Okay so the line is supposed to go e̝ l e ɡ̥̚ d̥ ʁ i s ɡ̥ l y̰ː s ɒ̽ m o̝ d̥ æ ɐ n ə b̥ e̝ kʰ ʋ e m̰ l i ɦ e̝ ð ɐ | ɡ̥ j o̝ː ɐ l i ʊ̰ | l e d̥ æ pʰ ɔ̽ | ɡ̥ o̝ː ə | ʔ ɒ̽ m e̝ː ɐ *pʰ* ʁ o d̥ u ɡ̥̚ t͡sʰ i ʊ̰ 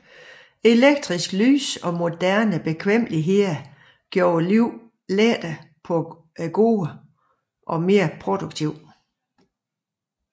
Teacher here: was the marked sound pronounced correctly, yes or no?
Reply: yes